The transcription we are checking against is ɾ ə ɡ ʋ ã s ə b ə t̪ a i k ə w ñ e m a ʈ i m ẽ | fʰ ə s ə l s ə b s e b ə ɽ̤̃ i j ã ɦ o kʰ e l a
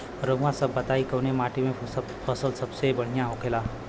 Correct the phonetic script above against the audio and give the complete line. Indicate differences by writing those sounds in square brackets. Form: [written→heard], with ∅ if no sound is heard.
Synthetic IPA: ɾ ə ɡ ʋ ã s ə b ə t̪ a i k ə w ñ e m a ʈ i m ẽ | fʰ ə s ə l s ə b s e b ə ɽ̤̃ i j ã ɦ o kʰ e l a